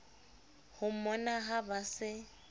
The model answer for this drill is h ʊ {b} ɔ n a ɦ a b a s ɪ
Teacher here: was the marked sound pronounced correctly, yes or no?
no